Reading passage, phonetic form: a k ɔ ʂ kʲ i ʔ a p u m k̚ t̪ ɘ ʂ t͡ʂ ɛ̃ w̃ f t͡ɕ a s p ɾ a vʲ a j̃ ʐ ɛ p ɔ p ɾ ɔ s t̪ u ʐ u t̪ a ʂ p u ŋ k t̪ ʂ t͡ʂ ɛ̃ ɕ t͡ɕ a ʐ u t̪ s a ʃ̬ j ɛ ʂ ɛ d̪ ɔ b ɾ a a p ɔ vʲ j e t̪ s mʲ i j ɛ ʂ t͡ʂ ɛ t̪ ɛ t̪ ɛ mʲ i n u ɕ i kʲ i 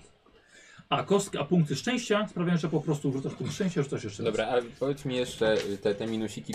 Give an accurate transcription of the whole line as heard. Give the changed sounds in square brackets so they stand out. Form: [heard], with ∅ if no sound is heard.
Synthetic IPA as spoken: a k ɔ [s] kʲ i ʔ a p u [ŋ] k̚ t̪ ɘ ʂ t͡ʂ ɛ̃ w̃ [ɕ] t͡ɕ a s p ɾ a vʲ a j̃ ʐ ɛ p ɔ p ɾ ɔ s t̪ u ʐ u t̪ a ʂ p u ŋ k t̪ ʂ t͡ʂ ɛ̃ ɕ t͡ɕ a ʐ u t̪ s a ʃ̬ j ɛ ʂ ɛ d̪ ɔ b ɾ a a p ɔ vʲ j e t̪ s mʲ i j ɛ ʂ t͡ʂ ɛ t̪ ɛ t̪ ɛ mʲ i n u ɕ i kʲ i